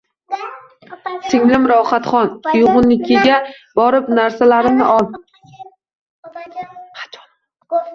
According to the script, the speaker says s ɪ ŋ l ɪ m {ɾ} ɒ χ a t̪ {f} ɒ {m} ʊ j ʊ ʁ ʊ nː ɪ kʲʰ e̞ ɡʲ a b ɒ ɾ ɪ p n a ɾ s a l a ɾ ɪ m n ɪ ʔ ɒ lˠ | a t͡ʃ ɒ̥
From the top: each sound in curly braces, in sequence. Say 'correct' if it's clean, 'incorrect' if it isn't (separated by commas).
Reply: correct, incorrect, incorrect